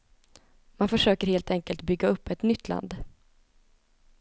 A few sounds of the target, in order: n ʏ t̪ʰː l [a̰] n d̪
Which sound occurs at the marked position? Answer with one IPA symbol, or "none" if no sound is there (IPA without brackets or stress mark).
a̰